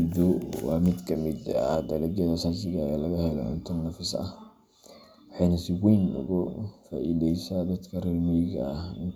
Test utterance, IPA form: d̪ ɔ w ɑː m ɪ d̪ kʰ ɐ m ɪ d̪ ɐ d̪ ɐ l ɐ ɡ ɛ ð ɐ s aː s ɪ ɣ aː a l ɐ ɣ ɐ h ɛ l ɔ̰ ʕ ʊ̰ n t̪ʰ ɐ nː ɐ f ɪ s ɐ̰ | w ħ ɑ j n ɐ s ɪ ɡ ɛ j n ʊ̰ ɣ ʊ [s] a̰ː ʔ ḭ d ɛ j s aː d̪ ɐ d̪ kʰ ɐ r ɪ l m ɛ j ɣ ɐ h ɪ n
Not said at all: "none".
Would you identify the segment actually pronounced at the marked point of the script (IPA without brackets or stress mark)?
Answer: f